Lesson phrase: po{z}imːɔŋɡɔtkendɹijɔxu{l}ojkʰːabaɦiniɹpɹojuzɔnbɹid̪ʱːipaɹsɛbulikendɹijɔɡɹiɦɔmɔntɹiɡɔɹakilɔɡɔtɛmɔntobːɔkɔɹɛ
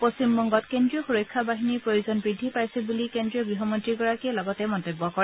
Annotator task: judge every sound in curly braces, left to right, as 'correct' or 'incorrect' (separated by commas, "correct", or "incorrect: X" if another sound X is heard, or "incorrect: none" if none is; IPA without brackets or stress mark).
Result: incorrect: s, incorrect: ɹ